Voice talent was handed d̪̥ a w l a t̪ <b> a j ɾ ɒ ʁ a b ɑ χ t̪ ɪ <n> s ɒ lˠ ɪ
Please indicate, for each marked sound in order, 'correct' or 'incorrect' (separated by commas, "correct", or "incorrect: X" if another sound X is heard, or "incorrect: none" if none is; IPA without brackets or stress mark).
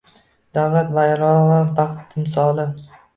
incorrect: v, incorrect: m